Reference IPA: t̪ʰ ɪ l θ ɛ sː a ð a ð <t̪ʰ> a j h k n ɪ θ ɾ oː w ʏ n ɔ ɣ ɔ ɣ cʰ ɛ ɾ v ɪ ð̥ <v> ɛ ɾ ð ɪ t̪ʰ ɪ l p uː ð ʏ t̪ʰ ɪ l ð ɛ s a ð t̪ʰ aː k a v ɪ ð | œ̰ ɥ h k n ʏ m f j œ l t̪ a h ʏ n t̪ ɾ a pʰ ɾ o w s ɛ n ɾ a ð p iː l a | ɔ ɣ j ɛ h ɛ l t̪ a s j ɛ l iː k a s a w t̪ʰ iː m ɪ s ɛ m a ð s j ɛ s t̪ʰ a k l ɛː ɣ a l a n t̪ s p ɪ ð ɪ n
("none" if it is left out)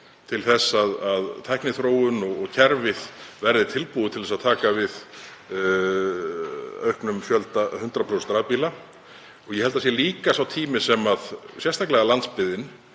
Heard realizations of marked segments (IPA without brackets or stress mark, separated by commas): t̪ʰ, v